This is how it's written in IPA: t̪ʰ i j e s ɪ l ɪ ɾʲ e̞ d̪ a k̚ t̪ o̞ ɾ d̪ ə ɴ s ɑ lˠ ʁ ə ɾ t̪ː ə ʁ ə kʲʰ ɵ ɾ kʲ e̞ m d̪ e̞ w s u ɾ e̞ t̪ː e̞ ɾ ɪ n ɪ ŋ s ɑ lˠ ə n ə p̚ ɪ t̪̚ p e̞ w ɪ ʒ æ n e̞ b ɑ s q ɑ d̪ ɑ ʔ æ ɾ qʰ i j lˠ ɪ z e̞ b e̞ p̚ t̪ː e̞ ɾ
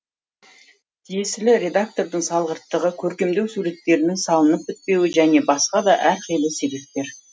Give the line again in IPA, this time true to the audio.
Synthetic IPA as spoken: t̪ʰ i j e s ɪ l ɪ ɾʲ e̞ d̪ a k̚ t̪ o̞ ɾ d̪ ə ɴ s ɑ lˠ ʁ ə ɾ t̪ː ə ʁ ə kʲʰ ɵ ɾ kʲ e̞ m d̪ e̞ w s u ɾ e̞ t̪ː e̞ ɾ ɪ n ɪ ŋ s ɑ lˠ ə n ə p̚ ɪ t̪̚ p e̞ w ɪ ʒ æ n e̞ b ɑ s q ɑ d̪ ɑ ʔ æ ɾ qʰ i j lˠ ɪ s e̞ b e̞ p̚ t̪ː e̞ ɾ